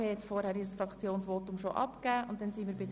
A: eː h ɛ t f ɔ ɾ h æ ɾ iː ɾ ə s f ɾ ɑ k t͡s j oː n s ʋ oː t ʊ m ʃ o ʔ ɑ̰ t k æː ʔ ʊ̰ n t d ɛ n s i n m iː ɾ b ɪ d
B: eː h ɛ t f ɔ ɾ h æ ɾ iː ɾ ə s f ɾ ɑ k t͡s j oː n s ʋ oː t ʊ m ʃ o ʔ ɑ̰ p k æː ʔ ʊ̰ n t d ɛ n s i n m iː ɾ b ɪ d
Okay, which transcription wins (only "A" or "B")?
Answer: B